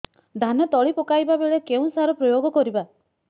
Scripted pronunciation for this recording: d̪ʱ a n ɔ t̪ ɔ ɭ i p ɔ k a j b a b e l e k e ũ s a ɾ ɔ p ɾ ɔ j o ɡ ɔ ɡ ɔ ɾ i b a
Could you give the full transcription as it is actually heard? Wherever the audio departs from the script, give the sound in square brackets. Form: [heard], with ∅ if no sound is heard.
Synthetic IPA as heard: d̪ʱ a n ɔ t̪ ɔ ɭ i p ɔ k a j b a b e [ɭ] e k e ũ s a ɾ ɔ p ɾ ɔ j o ɡ ɔ [k] ɔ ɾ i b a

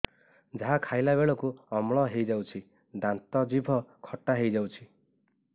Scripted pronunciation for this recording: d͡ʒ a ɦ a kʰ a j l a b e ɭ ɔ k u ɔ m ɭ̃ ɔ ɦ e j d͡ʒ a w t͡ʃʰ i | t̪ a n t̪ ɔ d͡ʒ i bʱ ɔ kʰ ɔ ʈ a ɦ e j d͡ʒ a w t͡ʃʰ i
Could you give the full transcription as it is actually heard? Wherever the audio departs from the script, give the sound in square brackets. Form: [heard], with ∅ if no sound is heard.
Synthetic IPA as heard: d͡ʒ a ɦ a kʰ a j l a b e ɭ ɔ k u ɔ m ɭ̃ ɔ ɦ e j d͡ʒ a w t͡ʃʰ i | [d̪] a n t̪ ɔ d͡ʒ i bʱ ɔ kʰ ɔ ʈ a ɦ e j d͡ʒ a w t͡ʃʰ i

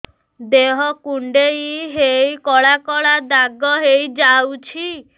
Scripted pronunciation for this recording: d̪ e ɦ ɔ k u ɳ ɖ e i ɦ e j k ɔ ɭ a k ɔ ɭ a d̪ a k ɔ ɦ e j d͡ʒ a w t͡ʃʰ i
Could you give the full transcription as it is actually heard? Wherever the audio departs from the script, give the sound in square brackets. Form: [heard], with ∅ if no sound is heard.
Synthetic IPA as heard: d̪ e ɦ ɔ k u ɳ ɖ e i ɦ e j k ɔ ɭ a k ɔ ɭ a d̪ a [ɡ] ɔ ɦ e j d͡ʒ a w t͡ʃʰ i

